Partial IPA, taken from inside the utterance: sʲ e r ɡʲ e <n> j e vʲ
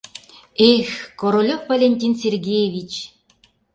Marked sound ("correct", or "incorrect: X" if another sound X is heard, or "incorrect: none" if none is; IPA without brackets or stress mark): incorrect: none